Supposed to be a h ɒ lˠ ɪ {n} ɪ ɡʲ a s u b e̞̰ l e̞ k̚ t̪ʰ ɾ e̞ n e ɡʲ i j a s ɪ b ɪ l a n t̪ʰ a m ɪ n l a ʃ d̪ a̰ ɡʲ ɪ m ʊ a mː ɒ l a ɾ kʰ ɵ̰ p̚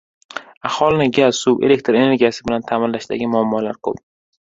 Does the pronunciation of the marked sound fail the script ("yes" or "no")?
no